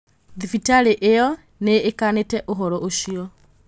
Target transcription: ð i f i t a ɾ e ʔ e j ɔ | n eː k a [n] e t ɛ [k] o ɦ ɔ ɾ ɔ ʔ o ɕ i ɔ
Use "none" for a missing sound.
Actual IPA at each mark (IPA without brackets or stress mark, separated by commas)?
n, ʔ